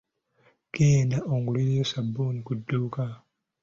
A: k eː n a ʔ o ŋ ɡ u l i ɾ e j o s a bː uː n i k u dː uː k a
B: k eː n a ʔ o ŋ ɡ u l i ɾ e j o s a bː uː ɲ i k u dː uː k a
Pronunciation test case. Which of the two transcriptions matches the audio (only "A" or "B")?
A